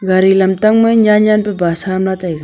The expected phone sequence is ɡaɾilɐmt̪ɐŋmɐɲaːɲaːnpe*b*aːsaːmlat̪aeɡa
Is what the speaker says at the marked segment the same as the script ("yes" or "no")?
yes